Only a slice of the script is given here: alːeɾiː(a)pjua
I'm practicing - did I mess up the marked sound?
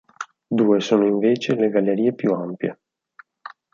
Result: yes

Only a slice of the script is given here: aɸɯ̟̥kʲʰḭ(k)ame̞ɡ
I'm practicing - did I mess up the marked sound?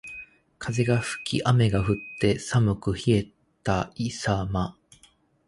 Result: yes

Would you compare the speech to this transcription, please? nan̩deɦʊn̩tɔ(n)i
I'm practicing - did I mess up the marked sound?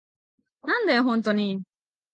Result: no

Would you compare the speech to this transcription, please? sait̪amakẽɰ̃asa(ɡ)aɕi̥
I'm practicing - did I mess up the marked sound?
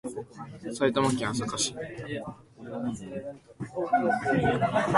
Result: yes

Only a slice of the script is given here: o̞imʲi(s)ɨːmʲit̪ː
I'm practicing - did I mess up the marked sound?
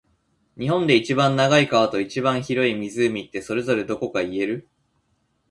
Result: yes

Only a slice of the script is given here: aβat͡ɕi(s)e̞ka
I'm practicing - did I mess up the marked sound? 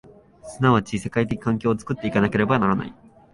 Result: no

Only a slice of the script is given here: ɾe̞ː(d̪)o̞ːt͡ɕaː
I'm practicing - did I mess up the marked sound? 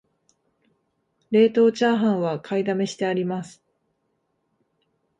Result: yes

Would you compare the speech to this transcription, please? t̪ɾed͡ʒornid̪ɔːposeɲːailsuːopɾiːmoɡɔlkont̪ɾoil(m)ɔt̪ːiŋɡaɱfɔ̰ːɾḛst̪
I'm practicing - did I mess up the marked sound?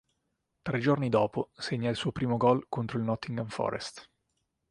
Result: yes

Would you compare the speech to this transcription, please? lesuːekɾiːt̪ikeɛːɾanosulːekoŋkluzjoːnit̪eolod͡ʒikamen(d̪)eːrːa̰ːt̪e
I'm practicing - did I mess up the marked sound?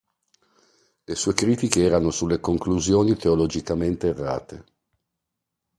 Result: yes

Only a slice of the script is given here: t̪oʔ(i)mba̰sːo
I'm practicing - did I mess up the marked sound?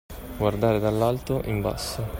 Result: no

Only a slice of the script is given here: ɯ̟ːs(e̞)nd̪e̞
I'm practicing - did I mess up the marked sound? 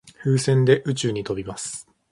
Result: yes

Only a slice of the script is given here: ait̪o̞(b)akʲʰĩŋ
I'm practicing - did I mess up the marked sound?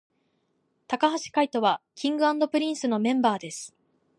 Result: yes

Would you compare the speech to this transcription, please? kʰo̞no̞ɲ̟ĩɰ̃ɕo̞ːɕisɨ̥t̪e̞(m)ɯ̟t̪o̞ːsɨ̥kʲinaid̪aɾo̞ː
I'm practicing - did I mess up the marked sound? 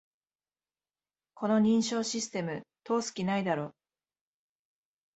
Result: no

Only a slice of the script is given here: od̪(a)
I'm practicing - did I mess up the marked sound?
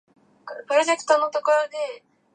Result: yes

